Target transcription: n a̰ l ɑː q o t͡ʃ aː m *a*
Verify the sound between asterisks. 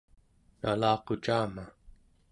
correct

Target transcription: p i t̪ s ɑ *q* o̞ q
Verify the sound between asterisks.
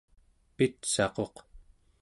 correct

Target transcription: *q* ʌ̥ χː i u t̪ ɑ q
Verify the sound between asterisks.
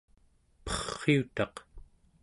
incorrect: p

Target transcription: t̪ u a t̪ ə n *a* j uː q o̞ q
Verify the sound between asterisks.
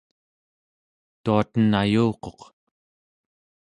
correct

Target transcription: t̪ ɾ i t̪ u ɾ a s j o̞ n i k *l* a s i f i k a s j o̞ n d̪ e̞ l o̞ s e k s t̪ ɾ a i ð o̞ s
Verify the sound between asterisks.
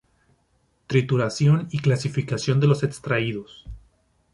correct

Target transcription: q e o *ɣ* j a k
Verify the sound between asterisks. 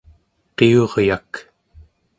incorrect: ʁ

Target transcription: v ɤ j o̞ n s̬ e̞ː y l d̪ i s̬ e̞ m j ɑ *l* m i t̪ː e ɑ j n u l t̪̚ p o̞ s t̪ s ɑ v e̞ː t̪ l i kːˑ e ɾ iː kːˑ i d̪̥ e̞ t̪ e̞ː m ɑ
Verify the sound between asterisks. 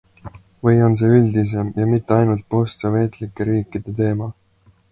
incorrect: none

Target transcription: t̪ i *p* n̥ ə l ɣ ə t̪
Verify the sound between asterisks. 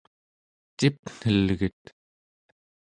correct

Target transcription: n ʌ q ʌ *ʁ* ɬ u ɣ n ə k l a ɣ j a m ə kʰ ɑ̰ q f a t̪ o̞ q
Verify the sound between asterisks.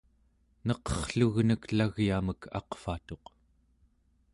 incorrect: χ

